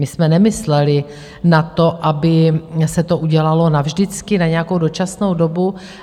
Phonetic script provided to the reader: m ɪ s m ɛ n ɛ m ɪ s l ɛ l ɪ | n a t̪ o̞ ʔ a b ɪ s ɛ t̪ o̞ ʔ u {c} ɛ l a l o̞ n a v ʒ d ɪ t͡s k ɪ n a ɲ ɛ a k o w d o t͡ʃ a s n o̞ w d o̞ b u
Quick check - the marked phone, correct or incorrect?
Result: incorrect